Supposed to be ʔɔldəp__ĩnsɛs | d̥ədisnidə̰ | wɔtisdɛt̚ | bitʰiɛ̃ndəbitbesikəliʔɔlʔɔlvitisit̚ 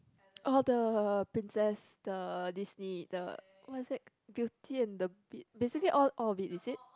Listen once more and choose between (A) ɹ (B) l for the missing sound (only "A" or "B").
A